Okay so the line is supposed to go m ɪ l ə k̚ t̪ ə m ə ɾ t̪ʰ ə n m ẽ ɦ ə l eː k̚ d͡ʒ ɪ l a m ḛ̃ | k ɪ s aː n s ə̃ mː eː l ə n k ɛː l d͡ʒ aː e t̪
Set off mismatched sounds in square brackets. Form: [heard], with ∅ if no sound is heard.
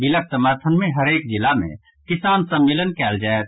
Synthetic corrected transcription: [b] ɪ l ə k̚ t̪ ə m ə ɾ t̪ʰ ə n m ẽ ɦ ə [ɾ] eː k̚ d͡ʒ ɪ l a m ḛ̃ | k ɪ s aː n s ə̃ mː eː l ə n k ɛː l d͡ʒ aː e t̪